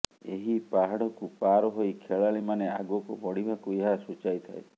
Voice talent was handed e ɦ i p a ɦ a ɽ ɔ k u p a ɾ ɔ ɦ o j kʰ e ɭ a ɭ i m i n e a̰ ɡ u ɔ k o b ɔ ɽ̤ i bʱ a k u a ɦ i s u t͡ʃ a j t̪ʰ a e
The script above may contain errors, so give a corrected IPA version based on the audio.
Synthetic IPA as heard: e ɦ i p a ɦ a ɽ ɔ k u p a ɾ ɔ ɦ o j kʰ e ɭ a ɭ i m a n e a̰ ɡ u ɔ k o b ɔ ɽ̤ i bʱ a k u e ɦ a s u t͡ʃ a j t̪ʰ a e